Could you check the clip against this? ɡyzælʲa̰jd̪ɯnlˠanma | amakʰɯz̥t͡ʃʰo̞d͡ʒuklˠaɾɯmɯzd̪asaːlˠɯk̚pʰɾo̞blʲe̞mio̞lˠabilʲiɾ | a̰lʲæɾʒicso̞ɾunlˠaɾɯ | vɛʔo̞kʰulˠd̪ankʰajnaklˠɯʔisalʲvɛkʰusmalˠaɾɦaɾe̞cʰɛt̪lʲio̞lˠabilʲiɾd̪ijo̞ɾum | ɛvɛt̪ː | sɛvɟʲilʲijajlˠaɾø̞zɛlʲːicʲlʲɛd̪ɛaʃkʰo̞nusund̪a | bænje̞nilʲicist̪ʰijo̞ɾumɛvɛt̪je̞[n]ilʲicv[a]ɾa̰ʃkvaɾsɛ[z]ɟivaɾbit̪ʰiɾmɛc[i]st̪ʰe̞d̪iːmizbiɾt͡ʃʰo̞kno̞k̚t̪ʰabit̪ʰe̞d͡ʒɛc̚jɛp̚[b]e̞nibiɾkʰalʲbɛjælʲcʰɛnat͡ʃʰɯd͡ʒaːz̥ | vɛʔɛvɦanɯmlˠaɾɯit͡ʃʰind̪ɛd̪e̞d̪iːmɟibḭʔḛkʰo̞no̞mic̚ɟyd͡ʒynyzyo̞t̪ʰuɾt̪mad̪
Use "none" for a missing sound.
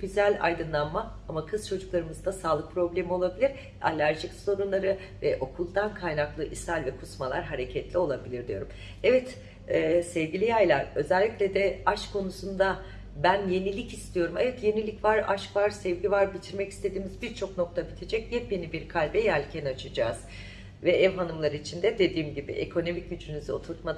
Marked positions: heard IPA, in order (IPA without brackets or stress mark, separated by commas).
n, a, v, i, b